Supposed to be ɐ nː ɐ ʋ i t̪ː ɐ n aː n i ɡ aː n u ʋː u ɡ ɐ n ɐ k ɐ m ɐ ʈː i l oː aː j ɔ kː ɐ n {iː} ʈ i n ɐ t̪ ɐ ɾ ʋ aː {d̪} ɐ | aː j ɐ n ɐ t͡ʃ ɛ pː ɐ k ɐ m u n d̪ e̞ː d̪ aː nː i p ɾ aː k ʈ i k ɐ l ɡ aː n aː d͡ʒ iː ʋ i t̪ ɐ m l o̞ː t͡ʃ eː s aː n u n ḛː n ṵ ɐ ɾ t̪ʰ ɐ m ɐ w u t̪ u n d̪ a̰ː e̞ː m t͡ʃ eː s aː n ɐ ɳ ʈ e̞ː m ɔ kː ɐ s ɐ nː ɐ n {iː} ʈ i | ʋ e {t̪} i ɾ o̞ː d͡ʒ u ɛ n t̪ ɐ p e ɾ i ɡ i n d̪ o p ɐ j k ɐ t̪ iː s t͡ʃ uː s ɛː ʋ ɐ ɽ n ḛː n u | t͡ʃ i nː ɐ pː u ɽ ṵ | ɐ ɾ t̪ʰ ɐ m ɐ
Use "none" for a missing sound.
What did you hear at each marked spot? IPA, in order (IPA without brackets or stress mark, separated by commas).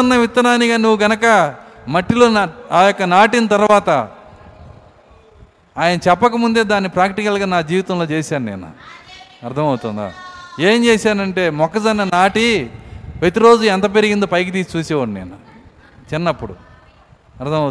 aː, t̪, aː, t̪